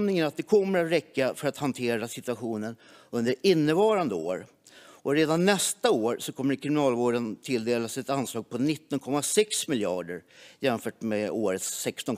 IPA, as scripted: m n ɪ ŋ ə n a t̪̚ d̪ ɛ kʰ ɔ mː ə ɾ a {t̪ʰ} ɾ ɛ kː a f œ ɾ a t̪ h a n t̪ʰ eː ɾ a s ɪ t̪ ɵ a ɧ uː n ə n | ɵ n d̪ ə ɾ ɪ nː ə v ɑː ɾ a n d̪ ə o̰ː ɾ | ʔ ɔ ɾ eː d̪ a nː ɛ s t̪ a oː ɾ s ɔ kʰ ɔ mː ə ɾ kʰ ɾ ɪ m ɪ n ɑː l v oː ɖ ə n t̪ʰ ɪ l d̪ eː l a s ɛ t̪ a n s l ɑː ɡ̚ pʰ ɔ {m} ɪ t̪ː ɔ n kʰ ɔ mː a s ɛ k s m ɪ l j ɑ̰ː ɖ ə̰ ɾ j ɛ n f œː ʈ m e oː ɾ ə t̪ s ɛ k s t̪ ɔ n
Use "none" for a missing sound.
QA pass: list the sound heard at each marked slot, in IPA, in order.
t̪, n

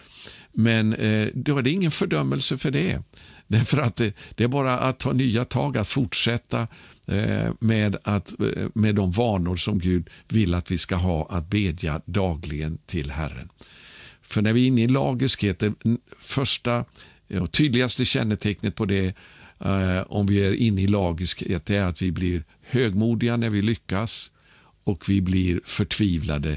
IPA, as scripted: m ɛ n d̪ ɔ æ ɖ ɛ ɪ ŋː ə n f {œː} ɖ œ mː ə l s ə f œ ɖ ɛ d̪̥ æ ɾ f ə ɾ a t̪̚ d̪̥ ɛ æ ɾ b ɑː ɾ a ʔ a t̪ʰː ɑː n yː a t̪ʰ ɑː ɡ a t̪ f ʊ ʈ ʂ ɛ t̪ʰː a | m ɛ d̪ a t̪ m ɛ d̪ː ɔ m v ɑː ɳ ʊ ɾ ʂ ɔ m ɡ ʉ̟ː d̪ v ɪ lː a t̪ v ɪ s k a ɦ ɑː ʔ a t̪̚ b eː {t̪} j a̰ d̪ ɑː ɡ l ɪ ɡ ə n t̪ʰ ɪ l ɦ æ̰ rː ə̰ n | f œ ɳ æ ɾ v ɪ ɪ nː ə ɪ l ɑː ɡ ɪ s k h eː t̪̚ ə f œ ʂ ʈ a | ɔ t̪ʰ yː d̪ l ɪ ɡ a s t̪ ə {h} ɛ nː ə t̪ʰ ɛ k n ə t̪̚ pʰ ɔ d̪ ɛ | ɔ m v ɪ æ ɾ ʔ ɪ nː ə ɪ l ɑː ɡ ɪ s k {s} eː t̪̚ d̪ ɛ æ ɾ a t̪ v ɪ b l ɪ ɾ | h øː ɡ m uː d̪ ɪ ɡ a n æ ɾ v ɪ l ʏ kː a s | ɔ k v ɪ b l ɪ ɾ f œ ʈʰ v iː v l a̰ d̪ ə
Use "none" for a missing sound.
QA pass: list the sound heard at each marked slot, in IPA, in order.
œ, d̪, ɕ, h

